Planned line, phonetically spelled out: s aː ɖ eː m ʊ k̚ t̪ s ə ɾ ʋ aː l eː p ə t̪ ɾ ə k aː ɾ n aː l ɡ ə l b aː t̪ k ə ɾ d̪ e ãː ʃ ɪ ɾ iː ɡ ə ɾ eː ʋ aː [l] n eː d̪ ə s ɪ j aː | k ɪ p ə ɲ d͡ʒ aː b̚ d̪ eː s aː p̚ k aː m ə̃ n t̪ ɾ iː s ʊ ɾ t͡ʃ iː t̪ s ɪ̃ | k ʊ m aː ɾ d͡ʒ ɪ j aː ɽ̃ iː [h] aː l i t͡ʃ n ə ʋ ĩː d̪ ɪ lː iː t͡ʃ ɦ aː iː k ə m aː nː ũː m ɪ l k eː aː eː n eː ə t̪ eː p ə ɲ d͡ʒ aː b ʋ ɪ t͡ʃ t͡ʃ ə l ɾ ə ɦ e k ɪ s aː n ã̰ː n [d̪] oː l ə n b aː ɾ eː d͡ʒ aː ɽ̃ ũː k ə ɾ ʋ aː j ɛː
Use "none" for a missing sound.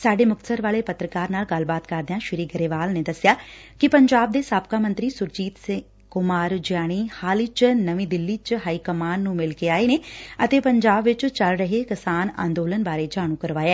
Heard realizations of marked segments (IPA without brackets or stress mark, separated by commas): l, h, d̪